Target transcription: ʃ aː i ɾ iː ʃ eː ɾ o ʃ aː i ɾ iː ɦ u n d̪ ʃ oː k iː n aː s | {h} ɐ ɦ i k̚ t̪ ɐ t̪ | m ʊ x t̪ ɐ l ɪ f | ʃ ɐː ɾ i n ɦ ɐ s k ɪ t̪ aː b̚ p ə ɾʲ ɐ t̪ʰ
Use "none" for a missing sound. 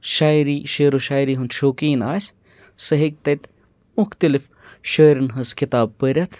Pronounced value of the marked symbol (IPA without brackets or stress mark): s